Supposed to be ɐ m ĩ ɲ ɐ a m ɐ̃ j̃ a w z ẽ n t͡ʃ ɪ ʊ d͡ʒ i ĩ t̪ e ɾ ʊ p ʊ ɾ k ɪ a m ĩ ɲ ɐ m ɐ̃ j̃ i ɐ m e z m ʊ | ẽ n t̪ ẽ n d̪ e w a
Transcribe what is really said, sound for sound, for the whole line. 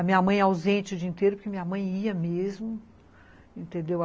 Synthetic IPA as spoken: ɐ m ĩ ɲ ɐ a m ɐ̃ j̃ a w z ẽ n t͡ʃ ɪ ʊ d͡ʒ i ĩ t̪ e ɾ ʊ p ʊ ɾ k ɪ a m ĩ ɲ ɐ m ɐ̃ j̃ i ɐ m e z m ʊ | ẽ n t̪ ẽ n d̪ e w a